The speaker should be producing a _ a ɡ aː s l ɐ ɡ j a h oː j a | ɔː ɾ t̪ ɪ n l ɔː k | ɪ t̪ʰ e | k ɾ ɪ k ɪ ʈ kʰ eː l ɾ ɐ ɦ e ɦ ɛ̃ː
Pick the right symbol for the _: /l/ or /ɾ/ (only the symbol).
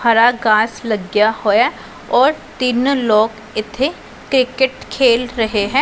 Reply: ɾ